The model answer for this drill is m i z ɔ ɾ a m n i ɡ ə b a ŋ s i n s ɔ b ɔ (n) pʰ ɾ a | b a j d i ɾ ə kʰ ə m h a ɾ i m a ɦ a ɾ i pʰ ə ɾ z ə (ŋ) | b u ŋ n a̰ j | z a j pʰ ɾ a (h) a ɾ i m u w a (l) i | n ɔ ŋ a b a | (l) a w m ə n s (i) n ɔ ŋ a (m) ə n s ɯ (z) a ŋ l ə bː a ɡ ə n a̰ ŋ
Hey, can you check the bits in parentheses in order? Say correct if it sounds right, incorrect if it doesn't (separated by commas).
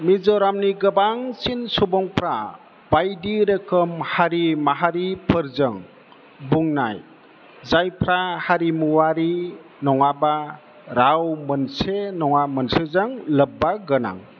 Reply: incorrect, correct, correct, incorrect, incorrect, incorrect, correct, correct